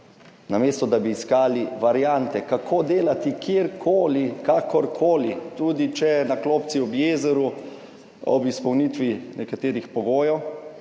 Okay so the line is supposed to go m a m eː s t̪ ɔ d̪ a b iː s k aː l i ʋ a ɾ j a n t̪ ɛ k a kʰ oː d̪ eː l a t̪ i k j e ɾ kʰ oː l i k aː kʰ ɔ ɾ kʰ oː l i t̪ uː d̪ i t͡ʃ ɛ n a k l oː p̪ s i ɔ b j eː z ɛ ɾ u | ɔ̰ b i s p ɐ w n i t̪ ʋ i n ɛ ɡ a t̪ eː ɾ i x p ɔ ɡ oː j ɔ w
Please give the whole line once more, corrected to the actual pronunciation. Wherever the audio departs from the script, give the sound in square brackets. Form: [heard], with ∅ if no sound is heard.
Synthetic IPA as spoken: [n] a m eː s t̪ ɔ d̪ a b iː s k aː l i ʋ a ɾ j a n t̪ ɛ k a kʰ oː d̪ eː l a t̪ i k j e ɾ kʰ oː l i k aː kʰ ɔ ɾ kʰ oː l i t̪ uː d̪ i t͡ʃ ɛ n a k l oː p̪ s i ɔ b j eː z ɛ ɾ u | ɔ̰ b i s p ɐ w n i t̪ ʋ i n ɛ [k] a t̪ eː ɾ i x p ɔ ɡ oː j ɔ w